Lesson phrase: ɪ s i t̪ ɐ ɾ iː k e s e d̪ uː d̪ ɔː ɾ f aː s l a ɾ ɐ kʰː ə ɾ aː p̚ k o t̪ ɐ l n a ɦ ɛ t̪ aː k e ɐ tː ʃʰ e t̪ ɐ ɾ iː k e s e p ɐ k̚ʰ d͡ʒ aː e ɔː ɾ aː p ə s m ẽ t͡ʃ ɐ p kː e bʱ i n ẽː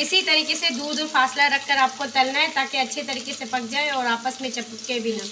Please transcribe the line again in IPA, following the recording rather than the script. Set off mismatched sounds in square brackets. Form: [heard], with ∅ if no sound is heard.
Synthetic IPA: ɪ s i t̪ ɐ ɾ iː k e s e d̪ uː d̪ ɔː ɾ f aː s l a ɾ ɐ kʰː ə ɾ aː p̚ k o t̪ ɐ l n a ɦ ɛ t̪ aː k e ɐ tː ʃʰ e t̪ ɐ ɾ iː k e s e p ɐ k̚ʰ d͡ʒ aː e ɔː ɾ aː p ə s m ẽ t͡ʃ ɐ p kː e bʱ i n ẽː

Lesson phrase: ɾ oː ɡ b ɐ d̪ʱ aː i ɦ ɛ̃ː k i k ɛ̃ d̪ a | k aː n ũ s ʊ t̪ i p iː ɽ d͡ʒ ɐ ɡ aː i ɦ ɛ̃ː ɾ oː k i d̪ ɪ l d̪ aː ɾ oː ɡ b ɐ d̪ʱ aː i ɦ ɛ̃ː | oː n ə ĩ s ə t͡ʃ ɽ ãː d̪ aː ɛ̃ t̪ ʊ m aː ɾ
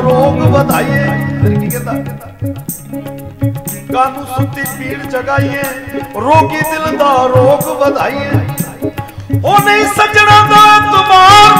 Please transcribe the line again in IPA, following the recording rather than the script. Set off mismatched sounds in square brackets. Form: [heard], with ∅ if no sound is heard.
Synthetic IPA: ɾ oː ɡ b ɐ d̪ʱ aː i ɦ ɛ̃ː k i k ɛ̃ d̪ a | k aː n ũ s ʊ t̪ i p iː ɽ d͡ʒ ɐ ɡ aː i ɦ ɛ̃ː ɾ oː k i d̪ ɪ l d̪ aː ɾ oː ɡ b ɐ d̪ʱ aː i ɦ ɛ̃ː | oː n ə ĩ s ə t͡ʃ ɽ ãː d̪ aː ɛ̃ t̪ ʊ m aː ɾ

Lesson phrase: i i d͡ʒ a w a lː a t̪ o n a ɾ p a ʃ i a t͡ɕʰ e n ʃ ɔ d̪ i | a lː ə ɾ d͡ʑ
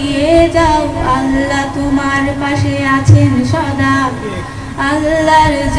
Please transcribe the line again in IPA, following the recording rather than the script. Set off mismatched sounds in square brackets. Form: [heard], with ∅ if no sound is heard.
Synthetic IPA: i [e] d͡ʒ a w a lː a t̪ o [m] a ɾ p a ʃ [e] a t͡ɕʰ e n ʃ ɔ d̪ [a] | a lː [a] ɾ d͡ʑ

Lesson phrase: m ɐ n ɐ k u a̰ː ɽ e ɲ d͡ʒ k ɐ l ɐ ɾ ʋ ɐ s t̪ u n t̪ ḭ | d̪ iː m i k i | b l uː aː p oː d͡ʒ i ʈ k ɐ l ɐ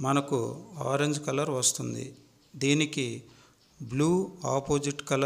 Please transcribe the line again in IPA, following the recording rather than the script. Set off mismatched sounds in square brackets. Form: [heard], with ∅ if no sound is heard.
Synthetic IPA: m ɐ n ɐ k u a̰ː [ɾ] e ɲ d͡ʒ k ɐ l ɐ ɾ ʋ ɐ s t̪ u n [d̪] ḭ | d̪ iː [n] i k i | b l uː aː p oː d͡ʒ i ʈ k ɐ l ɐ

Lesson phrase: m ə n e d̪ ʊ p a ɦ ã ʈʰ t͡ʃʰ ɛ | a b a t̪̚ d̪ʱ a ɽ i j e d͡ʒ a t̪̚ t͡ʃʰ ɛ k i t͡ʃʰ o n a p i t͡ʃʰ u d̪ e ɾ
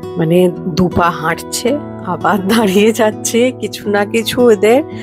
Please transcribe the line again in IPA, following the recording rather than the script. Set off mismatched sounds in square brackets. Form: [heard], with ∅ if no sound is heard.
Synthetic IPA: m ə n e d̪ [u] p a ɦ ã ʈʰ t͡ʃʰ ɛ | a b a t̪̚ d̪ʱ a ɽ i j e d͡ʒ a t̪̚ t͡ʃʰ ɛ k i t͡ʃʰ [u] n a [k] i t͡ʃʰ u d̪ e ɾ

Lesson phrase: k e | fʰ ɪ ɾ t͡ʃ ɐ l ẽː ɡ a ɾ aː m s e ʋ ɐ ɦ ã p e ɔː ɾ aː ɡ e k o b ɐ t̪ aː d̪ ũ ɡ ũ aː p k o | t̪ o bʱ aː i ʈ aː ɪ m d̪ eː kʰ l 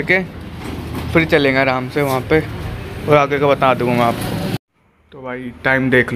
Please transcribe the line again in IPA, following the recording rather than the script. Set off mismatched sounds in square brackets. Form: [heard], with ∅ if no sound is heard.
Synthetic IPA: k e | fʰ ɪ ɾ t͡ʃ ɐ l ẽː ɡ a ɾ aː m s e ʋ ɐ ɦ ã p e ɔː ɾ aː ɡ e k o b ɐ t̪ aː d̪ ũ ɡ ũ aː p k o | t̪ o bʱ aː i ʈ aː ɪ m d̪ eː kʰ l

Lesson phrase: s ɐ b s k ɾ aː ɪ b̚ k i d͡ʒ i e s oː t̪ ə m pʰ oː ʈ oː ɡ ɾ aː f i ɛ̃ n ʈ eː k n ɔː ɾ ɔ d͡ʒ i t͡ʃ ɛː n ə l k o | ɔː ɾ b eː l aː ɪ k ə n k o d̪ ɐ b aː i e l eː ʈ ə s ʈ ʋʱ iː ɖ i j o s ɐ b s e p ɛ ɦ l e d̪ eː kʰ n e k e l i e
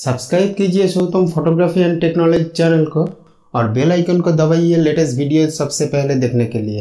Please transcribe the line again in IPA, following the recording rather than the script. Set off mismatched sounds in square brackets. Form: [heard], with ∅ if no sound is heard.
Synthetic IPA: s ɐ b s k ɾ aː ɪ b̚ k i d͡ʒ i e s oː t̪ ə m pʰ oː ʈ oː ɡ ɾ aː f i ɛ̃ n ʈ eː k n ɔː [l] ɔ d͡ʒ i t͡ʃ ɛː n ə l k o | ɔː ɾ b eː l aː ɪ k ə n k o d̪ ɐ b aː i e l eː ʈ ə s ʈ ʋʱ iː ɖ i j o s ɐ b s e p ɛ ɦ l e d̪ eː kʰ n e k e l i e

